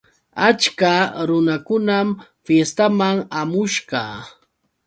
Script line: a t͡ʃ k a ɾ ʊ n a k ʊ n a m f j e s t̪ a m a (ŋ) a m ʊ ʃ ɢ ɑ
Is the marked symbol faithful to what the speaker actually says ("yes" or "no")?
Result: yes